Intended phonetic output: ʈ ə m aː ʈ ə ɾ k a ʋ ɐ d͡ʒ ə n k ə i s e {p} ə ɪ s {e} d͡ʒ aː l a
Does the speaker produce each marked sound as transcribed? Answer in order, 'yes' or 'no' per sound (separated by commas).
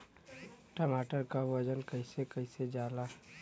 no, yes